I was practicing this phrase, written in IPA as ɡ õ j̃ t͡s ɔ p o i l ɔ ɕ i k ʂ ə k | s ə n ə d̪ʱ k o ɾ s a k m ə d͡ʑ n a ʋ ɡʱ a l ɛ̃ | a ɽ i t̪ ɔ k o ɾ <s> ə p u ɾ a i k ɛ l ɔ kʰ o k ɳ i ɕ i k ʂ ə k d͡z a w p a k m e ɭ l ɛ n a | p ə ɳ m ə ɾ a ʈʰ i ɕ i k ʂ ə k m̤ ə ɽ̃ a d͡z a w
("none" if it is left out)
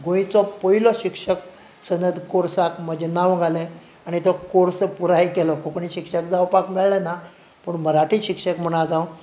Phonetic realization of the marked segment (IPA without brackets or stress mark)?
s